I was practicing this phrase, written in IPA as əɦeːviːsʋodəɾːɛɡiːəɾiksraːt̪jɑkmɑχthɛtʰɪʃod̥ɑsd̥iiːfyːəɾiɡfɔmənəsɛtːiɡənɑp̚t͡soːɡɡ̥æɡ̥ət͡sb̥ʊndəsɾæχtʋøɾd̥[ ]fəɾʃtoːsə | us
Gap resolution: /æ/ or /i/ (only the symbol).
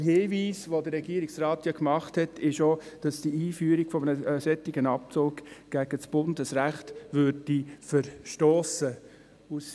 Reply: i